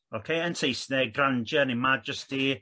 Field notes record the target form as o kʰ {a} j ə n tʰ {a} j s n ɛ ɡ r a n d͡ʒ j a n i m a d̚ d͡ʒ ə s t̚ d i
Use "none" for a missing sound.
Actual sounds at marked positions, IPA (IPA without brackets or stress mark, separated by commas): e, e